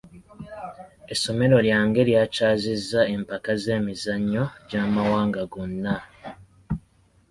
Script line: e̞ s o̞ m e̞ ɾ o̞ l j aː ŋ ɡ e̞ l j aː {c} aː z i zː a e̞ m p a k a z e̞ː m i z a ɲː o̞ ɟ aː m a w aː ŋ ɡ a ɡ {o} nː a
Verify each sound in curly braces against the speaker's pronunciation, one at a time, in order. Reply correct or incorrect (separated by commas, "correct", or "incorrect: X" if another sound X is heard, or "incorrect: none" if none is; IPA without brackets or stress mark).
correct, correct